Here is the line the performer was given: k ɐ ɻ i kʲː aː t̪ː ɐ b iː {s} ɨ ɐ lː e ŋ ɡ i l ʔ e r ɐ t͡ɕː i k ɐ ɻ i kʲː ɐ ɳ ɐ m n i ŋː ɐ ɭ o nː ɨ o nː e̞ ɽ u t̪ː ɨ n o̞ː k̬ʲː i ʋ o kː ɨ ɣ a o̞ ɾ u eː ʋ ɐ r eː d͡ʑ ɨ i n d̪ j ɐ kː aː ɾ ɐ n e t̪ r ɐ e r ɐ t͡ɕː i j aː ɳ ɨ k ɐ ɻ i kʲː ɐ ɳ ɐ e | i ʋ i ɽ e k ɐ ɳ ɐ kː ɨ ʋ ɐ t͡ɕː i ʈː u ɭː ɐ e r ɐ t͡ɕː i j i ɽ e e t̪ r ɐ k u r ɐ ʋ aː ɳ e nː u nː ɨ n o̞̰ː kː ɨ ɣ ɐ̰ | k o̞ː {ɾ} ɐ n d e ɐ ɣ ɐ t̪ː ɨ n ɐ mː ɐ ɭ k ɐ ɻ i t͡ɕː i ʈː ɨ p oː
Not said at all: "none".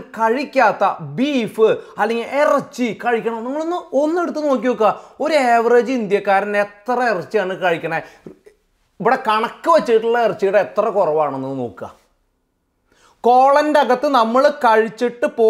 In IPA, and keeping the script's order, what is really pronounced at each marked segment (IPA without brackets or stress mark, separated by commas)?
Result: f, ɭ